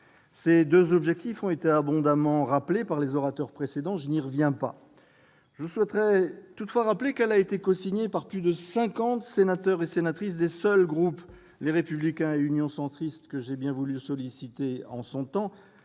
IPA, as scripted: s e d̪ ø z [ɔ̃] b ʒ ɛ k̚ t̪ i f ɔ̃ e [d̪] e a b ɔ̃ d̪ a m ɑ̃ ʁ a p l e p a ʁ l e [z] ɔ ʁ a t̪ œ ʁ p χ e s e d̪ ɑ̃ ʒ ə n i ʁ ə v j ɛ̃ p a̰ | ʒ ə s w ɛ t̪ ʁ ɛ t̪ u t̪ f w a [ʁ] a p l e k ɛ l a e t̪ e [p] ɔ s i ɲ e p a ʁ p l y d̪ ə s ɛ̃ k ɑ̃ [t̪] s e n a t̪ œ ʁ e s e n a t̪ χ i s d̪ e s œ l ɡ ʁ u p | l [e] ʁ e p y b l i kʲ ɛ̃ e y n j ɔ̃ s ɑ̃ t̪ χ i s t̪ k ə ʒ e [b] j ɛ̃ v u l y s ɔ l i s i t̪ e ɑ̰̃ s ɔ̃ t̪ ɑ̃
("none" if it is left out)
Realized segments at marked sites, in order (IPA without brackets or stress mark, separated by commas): ɔ, t̪, z, ʁ, k, t̪, e, b